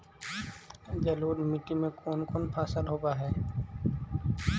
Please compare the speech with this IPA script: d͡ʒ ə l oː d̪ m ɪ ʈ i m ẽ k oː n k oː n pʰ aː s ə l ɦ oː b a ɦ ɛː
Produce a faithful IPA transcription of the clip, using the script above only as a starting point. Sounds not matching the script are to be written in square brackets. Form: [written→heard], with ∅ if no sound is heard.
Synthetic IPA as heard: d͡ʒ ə l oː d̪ m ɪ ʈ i m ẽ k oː n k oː n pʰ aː s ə l ɦ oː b a ɦ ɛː